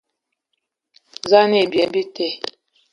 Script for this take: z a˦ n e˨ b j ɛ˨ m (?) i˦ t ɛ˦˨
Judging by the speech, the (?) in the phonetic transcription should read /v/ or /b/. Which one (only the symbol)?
b